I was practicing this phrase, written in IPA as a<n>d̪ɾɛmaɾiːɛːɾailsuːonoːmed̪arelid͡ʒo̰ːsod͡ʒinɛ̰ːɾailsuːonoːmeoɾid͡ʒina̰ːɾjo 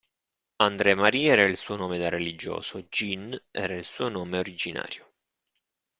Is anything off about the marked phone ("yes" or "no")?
no